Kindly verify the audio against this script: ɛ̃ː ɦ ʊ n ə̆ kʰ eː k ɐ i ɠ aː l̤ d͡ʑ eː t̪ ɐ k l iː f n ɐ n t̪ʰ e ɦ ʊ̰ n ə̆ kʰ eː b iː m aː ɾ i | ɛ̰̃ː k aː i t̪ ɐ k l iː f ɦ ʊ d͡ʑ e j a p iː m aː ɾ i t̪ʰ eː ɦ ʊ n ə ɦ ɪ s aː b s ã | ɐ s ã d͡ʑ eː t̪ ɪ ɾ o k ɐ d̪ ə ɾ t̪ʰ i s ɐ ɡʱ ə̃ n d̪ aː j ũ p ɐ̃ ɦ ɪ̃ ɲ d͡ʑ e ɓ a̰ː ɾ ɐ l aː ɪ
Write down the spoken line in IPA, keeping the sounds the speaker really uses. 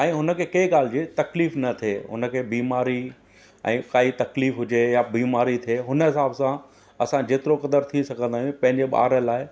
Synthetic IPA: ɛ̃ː ɦ ʊ n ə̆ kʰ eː k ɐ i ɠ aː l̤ d͡ʑ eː t̪ ɐ k l iː f n ɐ t̪ʰ e ɦ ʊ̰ n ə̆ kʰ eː b iː m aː ɾ i | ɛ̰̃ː k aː i t̪ ɐ k l iː f ɦ ʊ d͡ʑ e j a b iː m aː ɾ i t̪ʰ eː ɦ ʊ n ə ɦ ɪ s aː b s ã | ɐ s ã d͡ʑ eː t̪ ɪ ɾ o k ɐ d̪ ə ɾ t̪ʰ i s ɐ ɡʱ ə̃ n d̪ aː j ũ p ɐ̃ ɦ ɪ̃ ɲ d͡ʑ e ɓ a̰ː ɾ ə l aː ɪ